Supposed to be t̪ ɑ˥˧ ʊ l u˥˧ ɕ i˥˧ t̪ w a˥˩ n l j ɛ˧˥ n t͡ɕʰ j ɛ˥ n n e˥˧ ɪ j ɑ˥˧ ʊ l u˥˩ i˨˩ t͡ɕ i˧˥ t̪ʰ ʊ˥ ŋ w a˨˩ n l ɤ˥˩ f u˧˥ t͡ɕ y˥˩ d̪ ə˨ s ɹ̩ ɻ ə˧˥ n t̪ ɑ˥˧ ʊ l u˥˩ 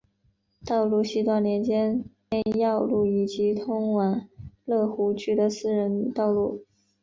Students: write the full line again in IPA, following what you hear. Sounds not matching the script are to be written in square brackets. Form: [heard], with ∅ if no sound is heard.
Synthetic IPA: t̪ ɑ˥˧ ʊ l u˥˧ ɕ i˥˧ t̪ w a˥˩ n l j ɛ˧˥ n [t͡ɕ] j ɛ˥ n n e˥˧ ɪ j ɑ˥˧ ʊ l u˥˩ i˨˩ t͡ɕ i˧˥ t̪ʰ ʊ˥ ŋ w a˨˩ n l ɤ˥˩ [x] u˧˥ t͡ɕ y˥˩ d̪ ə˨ s ɹ̩ ɻ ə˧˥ n t̪ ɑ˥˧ ʊ l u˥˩